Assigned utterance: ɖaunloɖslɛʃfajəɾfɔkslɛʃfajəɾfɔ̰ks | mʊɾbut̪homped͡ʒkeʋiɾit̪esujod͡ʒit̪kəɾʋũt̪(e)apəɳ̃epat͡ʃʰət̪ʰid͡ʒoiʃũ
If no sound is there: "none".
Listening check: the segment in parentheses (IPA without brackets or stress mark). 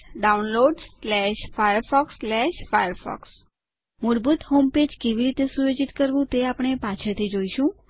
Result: e